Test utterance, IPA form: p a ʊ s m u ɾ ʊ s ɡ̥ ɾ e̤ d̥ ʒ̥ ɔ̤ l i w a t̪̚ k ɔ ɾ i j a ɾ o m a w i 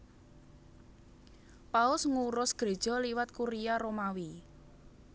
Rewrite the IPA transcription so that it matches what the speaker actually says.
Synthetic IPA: p a ʊ s ŋ u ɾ ʊ s ɡ̥ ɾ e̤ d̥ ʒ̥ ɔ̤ l i w a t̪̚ k u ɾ i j a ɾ o m a w i

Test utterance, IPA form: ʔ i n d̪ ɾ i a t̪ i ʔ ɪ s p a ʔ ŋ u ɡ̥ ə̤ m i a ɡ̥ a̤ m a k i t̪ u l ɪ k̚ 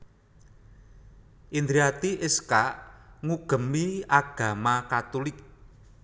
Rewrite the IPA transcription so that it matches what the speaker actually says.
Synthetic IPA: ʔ i n d̪ ɾ i a t̪ i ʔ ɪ s k a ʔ ŋ u ɡ̥ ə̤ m i a ɡ̥ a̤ m a k a t̪ u l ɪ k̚

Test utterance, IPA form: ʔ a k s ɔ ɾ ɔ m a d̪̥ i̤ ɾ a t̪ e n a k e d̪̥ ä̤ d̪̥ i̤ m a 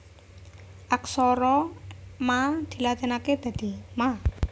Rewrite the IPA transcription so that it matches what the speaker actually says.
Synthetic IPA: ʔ a k s ɔ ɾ ɔ m a d̪̥ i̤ l a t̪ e n a k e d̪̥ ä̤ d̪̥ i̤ m a

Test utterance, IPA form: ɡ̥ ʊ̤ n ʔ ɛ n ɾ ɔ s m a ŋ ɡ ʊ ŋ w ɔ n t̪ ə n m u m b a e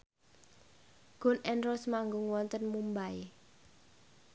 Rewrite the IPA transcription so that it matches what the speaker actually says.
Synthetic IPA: ɡ̥ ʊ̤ n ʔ ɛ n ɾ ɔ s m a ŋ ɡ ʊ ŋ w ɔ n t̪ ə n m u m b a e

